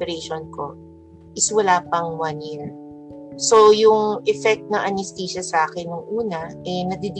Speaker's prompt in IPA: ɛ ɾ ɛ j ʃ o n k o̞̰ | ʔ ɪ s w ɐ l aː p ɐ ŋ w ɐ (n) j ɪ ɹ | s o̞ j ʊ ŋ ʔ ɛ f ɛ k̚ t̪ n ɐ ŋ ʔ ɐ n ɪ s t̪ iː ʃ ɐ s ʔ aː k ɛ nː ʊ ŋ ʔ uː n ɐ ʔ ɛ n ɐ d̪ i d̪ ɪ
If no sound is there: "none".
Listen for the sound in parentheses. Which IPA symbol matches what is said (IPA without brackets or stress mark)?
n